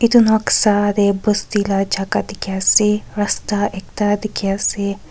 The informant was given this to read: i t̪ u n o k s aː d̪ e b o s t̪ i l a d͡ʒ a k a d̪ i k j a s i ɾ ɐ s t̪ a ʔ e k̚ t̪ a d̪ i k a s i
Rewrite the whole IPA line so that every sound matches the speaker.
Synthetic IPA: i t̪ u n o k s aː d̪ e b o s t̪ i l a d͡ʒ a k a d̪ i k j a s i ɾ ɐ s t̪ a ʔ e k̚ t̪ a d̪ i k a s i